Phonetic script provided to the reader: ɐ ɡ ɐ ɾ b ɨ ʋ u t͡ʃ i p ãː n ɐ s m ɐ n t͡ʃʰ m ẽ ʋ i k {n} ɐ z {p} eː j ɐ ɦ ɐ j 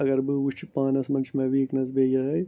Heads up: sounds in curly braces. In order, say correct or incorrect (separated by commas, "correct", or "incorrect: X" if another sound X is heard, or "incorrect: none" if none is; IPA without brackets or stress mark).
correct, incorrect: b